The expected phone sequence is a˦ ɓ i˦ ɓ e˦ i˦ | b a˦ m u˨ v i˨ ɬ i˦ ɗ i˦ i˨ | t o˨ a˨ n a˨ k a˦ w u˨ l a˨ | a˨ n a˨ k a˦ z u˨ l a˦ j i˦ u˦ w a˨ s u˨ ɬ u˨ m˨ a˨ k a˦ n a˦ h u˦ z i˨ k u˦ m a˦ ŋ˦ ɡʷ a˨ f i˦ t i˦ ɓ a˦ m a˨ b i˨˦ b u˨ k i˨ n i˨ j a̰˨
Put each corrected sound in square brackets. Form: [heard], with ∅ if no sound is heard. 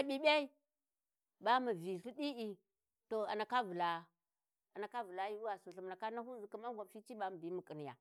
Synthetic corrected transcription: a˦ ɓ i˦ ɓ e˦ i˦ | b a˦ m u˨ v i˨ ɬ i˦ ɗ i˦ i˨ | t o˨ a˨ n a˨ k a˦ [v] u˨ l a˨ | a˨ n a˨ k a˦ [v] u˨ l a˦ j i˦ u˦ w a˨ s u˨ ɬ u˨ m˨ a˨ k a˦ n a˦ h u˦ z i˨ k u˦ m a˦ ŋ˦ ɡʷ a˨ f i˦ [t͡ʃ] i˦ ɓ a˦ m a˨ b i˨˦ [m] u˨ k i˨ n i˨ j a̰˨